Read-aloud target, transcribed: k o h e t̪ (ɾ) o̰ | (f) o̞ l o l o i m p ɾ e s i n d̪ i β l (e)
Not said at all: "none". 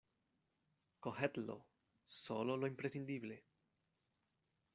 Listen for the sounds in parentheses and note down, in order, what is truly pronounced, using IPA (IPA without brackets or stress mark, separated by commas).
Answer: l, s, e